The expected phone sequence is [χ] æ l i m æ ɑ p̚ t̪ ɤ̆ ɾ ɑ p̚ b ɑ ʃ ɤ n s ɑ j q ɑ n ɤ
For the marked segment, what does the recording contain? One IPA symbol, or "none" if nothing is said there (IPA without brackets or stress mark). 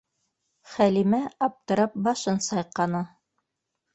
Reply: χ